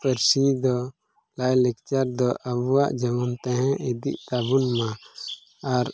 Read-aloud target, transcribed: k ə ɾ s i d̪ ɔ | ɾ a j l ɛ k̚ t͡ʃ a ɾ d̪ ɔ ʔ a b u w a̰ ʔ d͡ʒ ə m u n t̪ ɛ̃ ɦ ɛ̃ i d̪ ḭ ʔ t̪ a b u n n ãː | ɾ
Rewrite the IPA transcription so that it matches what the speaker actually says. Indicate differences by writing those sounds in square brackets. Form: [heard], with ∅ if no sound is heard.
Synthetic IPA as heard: [p] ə ɾ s i d̪ ɔ | [l] a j l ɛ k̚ t͡ʃ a ɾ d̪ ɔ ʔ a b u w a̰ ʔ d͡ʒ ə m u n t̪ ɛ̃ ɦ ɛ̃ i d̪ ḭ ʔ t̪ a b u n [m] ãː | ɾ